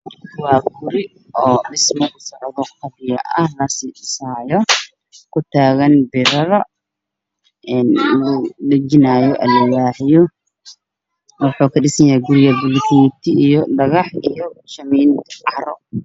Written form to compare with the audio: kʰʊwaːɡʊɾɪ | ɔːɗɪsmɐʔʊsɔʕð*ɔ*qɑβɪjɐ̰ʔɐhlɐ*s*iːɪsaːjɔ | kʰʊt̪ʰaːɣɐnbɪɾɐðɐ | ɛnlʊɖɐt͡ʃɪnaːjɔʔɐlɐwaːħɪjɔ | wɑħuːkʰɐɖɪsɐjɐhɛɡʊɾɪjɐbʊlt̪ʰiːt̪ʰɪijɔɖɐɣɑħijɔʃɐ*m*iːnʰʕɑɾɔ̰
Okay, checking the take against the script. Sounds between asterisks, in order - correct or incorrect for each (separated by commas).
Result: correct, correct, correct